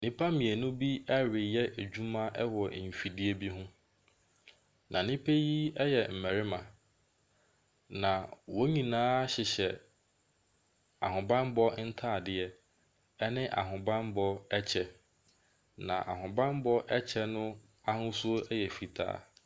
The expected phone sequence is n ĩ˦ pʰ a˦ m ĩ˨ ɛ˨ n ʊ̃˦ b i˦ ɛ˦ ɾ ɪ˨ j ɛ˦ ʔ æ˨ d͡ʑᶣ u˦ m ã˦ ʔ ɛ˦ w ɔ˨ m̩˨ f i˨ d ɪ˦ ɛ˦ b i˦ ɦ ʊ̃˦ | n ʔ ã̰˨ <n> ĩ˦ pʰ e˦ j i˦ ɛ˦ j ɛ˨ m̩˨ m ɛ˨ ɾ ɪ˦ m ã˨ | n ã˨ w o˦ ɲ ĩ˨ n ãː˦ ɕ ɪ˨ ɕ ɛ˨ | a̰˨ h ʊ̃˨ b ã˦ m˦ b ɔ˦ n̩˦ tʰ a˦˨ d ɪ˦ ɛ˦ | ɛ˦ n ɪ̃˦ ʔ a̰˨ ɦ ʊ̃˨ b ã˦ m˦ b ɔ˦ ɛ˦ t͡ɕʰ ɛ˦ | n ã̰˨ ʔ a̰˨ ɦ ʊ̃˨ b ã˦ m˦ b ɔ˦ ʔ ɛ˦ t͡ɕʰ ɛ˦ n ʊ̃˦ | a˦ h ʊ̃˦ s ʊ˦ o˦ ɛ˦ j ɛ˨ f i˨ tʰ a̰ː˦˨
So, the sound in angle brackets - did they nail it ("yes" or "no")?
yes